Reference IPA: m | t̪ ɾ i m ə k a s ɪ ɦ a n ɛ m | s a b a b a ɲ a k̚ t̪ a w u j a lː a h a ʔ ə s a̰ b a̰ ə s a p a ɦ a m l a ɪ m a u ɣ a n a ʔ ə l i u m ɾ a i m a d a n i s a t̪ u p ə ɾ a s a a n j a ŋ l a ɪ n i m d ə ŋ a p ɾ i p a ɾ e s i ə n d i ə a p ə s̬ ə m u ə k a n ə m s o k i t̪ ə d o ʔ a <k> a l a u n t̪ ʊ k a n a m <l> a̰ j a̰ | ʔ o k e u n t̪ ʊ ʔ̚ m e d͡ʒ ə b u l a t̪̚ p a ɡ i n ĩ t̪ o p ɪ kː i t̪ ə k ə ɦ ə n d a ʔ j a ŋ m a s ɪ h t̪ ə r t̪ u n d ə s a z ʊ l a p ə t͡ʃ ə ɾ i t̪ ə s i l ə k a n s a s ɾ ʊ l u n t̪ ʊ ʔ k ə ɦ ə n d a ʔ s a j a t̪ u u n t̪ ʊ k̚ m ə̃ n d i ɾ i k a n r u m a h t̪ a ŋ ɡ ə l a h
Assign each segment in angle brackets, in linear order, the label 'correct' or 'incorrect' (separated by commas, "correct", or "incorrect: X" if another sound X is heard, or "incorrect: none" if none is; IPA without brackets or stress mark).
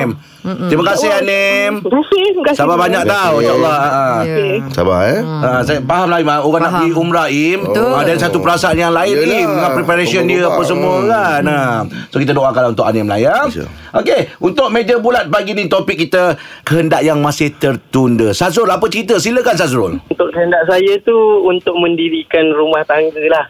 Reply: correct, correct